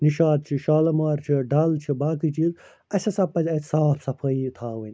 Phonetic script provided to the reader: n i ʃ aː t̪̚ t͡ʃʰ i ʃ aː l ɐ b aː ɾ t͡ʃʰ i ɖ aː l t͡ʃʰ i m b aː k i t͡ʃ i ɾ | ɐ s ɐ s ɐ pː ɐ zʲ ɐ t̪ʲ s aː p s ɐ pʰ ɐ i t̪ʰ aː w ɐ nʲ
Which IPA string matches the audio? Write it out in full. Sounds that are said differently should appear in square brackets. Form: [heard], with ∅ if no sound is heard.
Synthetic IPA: n i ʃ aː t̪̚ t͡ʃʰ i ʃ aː l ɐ [m] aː ɾ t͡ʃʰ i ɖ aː l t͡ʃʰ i [∅] b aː k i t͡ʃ i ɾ | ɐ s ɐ s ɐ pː ɐ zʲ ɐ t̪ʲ s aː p s ɐ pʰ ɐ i t̪ʰ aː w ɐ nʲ